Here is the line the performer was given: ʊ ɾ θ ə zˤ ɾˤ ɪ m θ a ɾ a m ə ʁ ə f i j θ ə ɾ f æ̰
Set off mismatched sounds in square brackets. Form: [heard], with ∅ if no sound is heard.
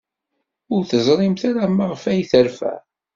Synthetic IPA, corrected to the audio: ʊ ɾ θ ə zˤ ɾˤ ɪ m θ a ɾ a m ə ʁ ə f [æ] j θ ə ɾ f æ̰